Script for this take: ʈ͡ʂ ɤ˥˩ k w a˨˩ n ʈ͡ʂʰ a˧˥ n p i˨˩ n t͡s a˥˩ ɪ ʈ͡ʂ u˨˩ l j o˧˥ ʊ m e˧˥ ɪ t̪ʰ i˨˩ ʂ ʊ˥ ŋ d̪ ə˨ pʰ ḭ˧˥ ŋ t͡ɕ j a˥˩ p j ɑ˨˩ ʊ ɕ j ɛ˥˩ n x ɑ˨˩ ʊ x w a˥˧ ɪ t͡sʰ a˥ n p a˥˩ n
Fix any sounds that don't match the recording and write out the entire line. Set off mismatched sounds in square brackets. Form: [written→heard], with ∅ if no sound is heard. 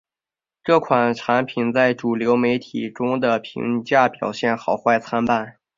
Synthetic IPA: ʈ͡ʂ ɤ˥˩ [k→kʰ] w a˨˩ n ʈ͡ʂʰ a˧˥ n [p→pʰ] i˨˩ n t͡s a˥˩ ɪ ʈ͡ʂ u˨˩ l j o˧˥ ʊ m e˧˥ ɪ t̪ʰ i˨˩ [ʂ→ʈ͡ʂ] ʊ˥ ŋ d̪ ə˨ pʰ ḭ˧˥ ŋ t͡ɕ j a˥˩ p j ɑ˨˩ ʊ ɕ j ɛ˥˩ n x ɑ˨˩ ʊ x w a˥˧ ɪ t͡sʰ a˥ n p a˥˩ n